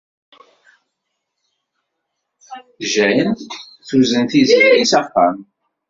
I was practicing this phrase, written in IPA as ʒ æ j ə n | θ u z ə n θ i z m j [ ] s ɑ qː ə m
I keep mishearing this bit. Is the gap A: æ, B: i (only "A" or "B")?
B